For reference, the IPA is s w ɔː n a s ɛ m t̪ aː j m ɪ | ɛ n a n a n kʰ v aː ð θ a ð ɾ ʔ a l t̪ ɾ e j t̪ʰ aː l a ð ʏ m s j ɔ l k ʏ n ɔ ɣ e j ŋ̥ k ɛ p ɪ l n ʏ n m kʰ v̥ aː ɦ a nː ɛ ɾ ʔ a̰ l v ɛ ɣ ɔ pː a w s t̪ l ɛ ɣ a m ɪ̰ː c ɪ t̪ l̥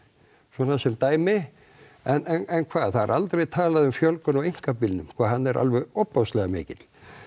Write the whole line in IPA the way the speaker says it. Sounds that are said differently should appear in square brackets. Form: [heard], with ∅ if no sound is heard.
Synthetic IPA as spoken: s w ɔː n a s ɛ m t̪ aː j m ɪ | ɛ n [ɛ] n [ɛ] n kʰ v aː ð θ a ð ɾ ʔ a l t̪ ɾ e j t̪ʰ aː l a ð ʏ m [f] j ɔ l k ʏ n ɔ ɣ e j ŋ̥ k [a] p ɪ l n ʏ [∅] m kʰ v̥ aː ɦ a nː ɛ ɾ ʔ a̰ l v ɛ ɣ ɔ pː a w s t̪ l ɛ ɣ a m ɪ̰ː c ɪ t̪ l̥